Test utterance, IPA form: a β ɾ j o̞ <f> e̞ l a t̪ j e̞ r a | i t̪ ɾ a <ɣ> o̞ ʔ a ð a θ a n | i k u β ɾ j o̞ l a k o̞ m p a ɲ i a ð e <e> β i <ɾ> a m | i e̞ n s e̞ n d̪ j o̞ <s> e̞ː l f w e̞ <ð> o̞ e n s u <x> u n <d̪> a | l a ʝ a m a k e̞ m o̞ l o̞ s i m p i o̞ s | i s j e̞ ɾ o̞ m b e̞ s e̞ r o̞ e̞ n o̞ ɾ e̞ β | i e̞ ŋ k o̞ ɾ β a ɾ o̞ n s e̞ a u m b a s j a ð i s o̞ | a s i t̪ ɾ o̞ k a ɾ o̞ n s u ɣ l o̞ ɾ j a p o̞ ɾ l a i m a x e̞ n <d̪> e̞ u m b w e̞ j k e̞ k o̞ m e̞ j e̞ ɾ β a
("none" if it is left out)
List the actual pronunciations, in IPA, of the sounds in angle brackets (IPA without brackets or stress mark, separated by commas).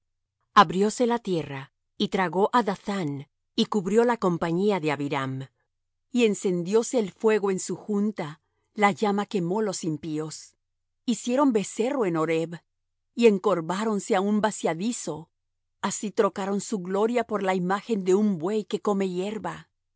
s, ɣ, a, ɾ, s, ɣ, x, t̪, d̪